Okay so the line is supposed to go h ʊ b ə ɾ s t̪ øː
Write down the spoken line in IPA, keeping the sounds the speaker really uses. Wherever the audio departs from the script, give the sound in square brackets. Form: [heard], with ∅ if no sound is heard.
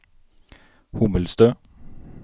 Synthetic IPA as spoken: h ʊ [m] ə [l] s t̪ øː